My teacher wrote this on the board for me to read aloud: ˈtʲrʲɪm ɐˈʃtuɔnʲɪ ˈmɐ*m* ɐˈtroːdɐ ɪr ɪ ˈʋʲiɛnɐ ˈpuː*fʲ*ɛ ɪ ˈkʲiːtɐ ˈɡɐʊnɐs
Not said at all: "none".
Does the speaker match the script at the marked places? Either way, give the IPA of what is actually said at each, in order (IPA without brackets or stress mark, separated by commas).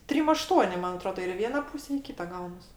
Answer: n, sʲ